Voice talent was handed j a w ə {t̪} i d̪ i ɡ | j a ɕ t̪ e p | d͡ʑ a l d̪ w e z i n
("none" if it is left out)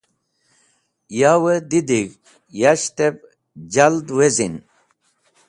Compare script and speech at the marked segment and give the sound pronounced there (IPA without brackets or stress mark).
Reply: d̪